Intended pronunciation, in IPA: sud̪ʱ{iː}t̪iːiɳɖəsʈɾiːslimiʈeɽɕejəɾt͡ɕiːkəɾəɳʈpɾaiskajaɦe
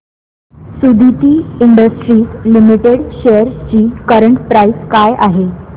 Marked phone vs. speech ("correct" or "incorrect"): incorrect